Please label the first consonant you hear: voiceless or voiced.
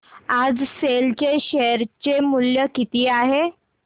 voiced